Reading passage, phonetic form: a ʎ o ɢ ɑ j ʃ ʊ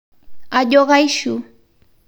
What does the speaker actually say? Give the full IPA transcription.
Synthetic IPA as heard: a ʎ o ɢ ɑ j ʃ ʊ